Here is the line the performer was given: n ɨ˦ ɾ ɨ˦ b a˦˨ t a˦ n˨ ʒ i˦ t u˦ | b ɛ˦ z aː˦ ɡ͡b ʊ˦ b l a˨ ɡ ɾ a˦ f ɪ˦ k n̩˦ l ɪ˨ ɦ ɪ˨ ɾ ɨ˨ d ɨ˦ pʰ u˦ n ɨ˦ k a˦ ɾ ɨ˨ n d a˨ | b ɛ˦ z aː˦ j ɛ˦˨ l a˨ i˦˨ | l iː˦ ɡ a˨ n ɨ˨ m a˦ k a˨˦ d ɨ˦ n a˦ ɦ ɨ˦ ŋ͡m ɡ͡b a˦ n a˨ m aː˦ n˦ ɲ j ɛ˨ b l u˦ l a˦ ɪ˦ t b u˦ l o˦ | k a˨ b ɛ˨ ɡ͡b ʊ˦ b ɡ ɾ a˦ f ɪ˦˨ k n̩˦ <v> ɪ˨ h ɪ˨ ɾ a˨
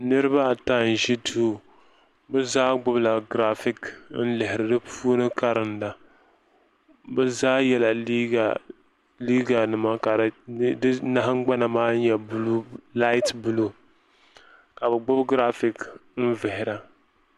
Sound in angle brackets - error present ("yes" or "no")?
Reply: no